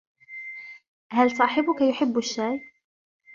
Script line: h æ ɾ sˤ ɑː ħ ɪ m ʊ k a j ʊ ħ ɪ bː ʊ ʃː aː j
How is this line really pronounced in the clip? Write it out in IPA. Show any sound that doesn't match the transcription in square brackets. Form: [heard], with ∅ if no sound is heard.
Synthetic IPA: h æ [l] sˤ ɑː ħ ɪ [b] ʊ k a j ʊ ħ ɪ bː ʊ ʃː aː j